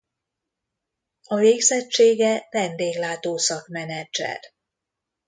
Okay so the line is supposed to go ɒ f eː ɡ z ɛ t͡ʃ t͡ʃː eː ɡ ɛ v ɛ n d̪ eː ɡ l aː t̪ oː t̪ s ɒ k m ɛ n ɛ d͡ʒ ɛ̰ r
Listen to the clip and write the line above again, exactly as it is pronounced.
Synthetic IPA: ɒ v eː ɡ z ɛ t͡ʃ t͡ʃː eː ɡ ɛ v ɛ n d̪ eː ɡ l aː t̪ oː s ɒ k m ɛ n ɛ d͡ʒ ɛ̰ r